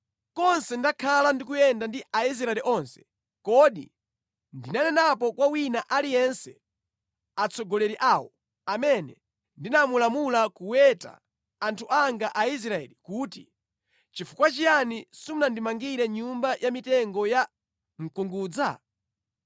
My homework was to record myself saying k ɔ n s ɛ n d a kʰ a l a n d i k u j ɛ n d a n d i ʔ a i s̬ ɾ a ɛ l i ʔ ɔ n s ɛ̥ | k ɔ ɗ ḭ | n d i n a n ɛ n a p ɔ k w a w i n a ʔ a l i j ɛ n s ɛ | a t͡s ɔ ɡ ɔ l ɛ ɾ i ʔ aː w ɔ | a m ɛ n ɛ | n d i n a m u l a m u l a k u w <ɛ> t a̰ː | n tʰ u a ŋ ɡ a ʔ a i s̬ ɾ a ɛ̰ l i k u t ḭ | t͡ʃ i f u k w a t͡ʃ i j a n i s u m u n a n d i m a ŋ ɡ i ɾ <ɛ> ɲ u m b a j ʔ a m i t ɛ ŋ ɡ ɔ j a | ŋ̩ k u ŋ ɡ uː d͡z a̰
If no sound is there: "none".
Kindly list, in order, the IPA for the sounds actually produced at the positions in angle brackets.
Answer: ɛ, ɛ

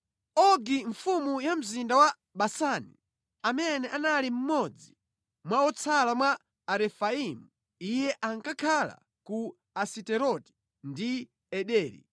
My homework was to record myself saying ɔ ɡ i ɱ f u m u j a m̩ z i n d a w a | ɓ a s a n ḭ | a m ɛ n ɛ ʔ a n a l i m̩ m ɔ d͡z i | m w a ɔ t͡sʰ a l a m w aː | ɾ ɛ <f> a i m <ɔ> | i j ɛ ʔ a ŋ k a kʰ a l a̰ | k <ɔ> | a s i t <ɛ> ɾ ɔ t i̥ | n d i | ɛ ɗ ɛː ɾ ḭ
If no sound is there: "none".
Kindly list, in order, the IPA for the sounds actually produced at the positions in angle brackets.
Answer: f, u, u, ɛ

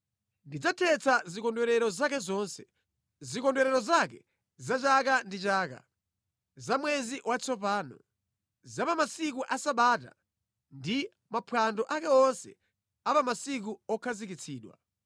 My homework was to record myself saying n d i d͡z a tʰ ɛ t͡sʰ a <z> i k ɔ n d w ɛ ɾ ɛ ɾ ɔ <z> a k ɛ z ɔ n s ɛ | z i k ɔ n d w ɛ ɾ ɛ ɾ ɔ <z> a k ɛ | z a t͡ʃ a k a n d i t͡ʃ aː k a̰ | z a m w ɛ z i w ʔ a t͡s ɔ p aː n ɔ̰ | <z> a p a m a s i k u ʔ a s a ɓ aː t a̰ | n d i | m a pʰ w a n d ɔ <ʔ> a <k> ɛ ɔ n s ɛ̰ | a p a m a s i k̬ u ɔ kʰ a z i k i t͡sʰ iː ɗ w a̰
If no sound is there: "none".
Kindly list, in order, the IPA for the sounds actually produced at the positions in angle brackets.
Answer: z, z, z, z, ʔ, k

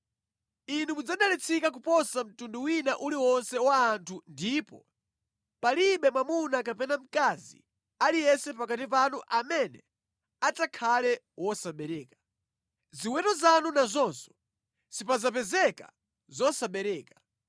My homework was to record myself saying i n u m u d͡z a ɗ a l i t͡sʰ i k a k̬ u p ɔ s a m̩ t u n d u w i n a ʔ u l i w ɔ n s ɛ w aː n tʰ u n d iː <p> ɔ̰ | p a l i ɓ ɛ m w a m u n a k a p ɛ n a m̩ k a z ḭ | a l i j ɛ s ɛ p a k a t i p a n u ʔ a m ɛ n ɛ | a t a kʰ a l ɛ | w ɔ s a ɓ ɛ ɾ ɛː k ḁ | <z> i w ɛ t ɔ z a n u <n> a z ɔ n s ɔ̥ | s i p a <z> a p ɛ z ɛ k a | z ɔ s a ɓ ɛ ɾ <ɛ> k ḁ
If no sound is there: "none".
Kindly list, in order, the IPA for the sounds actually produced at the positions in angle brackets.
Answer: p, z, n, z, ɛː

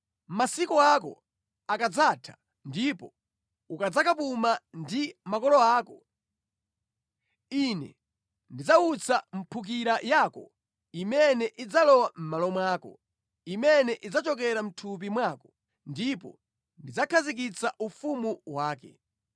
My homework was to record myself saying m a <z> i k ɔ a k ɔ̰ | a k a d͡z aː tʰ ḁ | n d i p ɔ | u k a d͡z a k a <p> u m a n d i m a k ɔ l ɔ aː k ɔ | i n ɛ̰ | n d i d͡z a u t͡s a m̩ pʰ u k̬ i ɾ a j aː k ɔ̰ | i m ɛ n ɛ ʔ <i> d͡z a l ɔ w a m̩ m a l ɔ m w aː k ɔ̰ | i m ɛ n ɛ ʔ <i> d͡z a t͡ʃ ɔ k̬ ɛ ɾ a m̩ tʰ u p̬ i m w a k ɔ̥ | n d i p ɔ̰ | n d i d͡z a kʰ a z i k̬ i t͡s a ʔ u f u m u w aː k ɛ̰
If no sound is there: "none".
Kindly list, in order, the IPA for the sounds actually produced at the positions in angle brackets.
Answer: s, p, i, i

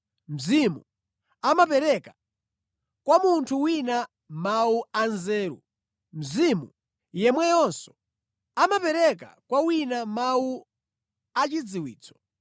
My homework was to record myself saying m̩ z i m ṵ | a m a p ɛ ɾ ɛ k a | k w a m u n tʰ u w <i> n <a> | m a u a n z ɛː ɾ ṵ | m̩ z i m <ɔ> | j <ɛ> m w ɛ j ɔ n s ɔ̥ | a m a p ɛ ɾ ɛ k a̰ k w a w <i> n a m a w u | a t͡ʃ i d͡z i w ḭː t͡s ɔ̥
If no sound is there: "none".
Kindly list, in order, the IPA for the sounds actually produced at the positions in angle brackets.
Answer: i, a, u, ɛ, i

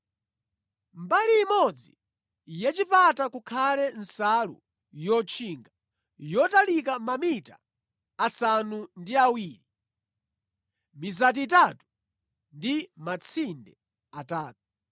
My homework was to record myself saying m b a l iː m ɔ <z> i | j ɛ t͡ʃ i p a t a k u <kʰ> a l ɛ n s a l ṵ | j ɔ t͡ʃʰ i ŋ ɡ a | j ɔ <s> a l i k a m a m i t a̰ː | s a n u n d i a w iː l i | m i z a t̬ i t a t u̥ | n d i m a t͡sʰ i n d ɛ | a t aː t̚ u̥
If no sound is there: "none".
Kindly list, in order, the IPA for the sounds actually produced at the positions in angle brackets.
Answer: d͡z, kʰ, t

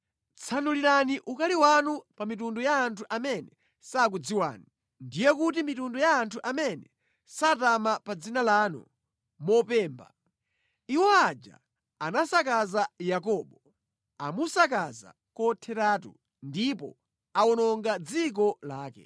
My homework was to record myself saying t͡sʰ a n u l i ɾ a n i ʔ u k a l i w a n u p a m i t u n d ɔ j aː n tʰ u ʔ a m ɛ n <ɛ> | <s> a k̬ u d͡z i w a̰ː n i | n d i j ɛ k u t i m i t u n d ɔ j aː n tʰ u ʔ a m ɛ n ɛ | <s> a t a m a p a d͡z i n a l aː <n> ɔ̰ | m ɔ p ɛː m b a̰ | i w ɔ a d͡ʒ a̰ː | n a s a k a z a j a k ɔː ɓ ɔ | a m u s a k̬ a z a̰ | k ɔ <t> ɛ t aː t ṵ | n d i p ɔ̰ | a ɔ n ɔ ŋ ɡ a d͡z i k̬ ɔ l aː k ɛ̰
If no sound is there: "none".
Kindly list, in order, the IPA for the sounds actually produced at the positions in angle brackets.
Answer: ɛ, s, s, n, tʰ

